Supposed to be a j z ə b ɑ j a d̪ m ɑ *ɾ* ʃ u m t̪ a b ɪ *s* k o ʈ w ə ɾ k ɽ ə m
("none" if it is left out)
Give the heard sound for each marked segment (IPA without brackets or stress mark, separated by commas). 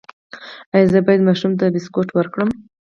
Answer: none, s